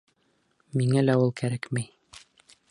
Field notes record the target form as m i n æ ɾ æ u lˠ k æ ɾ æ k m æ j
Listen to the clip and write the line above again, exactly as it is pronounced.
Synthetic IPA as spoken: m i ŋ æ l æ u lˠ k æ ɾ æ k m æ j